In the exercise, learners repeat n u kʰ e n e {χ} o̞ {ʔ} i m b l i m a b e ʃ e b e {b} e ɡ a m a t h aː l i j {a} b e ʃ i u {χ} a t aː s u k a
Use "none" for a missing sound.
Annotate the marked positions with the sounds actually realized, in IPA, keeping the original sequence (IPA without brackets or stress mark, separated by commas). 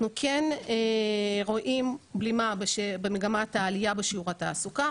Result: ʁ, ʔ, m, a, ʁ